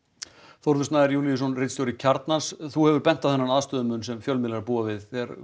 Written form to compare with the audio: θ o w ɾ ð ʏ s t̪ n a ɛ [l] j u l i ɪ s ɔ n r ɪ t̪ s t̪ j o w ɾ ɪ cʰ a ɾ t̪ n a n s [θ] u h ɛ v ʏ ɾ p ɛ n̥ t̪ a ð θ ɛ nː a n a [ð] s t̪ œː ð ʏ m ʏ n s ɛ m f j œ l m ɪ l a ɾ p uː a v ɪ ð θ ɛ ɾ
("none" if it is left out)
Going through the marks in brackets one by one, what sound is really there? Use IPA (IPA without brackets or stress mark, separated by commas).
ɾ, θ, ð